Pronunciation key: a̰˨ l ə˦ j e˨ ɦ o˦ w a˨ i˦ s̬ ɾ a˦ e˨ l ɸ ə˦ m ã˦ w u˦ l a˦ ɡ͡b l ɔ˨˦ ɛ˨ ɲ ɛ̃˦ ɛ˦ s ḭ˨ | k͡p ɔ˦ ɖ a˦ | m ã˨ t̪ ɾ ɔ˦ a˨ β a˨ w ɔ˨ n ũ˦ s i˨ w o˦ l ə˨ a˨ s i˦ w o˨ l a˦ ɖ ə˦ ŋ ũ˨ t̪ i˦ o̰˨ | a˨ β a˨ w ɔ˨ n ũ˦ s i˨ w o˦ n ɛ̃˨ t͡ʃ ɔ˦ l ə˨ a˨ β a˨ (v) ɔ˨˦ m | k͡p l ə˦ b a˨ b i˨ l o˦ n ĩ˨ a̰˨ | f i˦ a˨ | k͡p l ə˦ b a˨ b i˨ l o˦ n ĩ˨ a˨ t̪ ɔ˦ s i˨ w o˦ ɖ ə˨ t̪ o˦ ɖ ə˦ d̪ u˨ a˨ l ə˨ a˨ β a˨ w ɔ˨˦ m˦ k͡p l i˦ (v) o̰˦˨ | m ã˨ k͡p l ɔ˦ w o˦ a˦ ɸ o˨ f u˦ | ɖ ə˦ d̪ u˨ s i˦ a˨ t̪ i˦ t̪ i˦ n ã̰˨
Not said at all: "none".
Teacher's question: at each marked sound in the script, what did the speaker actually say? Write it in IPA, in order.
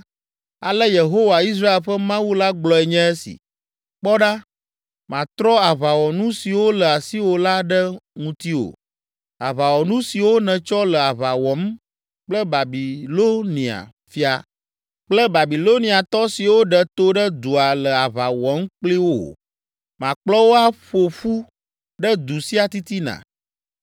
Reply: w, w

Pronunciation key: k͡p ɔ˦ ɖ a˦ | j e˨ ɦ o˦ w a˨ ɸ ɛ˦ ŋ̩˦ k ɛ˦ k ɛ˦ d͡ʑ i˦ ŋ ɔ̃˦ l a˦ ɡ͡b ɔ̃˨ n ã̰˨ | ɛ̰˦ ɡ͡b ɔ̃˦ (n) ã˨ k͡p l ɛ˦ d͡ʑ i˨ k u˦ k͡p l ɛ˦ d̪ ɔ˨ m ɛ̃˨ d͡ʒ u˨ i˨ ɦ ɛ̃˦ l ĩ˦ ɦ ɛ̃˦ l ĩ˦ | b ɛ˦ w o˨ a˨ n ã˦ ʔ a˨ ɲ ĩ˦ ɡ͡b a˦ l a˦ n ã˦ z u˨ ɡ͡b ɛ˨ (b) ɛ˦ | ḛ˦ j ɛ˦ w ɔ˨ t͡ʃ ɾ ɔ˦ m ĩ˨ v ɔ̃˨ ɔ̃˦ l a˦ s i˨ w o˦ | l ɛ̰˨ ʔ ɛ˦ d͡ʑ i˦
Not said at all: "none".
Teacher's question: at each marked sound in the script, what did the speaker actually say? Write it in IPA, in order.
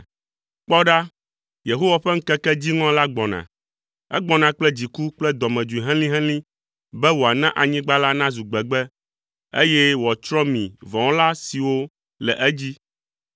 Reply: n, ɡ͡b

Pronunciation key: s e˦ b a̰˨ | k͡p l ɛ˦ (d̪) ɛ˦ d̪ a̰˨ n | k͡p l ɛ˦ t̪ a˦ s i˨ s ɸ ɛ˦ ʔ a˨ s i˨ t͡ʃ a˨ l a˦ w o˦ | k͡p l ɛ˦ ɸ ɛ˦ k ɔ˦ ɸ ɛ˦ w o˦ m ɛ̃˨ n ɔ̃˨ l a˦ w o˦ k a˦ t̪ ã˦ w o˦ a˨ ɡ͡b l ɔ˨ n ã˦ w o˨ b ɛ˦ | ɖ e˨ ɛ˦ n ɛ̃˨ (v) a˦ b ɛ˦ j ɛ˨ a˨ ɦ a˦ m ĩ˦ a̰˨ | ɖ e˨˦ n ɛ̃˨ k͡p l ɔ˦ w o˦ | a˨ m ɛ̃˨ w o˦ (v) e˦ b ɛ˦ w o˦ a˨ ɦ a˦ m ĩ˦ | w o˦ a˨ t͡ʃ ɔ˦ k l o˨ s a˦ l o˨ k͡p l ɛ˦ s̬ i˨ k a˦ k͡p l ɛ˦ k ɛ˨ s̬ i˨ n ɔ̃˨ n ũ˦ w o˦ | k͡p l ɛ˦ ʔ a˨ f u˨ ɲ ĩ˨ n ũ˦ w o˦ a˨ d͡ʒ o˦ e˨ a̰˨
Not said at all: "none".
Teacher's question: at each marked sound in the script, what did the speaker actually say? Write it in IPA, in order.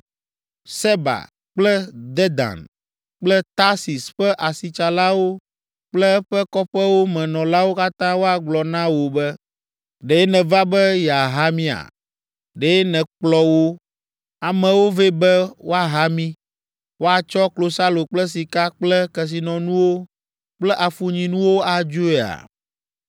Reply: d̪, v, v

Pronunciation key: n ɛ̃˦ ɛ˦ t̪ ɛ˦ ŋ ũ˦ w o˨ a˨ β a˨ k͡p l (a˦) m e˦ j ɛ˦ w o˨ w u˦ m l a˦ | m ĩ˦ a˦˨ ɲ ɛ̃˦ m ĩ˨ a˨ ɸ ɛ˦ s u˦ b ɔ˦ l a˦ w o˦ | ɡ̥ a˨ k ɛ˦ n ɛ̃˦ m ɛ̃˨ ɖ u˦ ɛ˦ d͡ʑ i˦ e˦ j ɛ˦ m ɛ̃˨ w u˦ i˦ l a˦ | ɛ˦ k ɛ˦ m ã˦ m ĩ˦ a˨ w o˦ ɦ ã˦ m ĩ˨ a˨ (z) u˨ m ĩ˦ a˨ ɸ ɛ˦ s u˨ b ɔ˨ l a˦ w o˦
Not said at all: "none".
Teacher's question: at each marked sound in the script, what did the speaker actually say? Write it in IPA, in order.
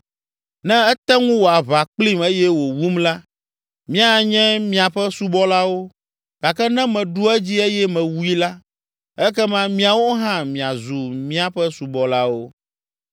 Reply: i˦, z

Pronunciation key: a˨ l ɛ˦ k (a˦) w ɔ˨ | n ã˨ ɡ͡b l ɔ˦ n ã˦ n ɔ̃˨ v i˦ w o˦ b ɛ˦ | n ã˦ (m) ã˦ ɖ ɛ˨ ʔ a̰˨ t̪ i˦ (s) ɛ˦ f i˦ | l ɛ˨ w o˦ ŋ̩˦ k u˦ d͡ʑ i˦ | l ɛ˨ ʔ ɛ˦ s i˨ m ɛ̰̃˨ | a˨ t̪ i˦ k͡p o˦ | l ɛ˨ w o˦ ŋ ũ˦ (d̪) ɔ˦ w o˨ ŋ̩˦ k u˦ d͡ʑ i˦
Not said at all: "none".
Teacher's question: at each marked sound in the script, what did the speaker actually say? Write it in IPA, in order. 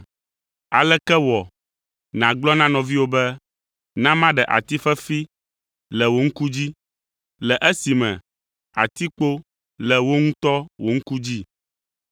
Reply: ɛ˦, m, f, t̪

